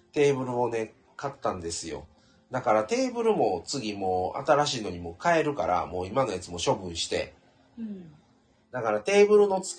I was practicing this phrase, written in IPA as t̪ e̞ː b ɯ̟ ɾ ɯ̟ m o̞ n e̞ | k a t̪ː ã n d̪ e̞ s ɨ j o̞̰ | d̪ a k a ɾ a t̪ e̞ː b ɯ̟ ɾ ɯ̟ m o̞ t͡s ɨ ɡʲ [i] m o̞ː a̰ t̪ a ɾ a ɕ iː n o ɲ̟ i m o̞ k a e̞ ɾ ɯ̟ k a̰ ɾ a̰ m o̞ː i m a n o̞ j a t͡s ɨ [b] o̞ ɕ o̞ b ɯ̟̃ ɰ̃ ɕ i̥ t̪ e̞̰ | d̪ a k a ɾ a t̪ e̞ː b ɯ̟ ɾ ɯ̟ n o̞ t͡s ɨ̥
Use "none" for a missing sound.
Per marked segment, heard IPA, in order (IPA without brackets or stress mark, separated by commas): i, m